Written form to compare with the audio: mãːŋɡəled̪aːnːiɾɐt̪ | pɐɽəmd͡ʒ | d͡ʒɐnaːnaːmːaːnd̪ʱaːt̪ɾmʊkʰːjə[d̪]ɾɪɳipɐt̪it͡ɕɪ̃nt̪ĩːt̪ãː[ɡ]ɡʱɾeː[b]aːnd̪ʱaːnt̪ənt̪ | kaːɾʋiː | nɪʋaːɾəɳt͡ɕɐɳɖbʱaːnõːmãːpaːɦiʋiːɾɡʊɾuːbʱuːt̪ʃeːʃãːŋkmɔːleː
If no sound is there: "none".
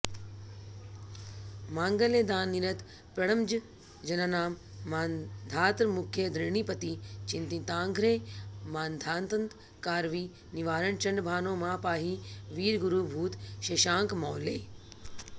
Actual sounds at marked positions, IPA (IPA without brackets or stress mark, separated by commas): d̪, ŋ, m